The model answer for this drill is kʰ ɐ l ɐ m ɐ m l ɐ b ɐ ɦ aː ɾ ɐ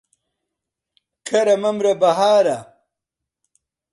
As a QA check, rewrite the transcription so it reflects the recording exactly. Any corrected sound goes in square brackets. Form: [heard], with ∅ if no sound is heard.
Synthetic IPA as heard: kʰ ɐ [ɾ] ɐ m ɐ m [ɾ] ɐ b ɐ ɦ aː ɾ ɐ